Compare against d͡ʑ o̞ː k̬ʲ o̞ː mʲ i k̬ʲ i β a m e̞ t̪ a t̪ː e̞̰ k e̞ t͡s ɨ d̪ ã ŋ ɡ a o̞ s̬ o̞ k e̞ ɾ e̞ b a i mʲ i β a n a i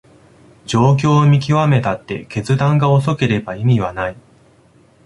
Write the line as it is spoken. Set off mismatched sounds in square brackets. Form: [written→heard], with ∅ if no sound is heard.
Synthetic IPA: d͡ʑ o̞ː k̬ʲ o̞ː mʲ i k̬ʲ i β a m e̞ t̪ a t̪ː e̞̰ k e̞ t͡s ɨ d̪ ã ŋ ɡ a o̞ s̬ o̞ k e̞ ɾ e̞ b a i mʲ i β a n a i